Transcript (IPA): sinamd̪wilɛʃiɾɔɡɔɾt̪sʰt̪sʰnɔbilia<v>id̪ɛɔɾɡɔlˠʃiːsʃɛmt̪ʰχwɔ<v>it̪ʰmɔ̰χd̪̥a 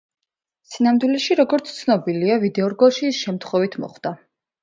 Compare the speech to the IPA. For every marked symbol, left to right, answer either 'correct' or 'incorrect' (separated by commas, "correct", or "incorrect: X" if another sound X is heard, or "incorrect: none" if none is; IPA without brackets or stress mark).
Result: correct, correct